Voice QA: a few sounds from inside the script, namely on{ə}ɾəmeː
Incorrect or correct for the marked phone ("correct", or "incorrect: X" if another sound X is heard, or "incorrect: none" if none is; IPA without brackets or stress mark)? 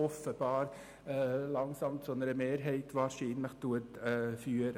correct